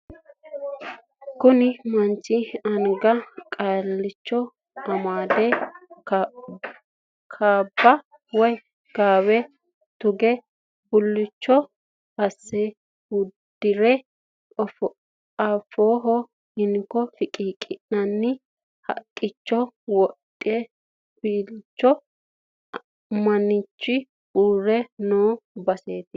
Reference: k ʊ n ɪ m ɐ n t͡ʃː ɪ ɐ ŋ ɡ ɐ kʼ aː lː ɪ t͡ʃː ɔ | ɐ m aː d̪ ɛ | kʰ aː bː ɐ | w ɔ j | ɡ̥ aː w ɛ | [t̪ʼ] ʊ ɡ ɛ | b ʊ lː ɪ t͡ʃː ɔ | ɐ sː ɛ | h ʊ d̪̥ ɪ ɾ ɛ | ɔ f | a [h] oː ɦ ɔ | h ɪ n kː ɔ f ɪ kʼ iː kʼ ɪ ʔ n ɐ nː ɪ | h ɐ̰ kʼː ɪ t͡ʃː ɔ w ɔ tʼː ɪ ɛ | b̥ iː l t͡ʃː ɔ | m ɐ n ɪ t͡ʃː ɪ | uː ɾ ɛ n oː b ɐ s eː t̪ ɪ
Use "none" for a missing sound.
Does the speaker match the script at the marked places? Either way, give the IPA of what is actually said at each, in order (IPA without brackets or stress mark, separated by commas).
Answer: t̪, f